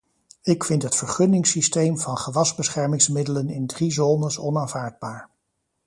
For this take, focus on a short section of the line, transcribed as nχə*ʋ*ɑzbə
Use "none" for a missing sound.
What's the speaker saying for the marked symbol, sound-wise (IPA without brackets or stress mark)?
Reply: ʋ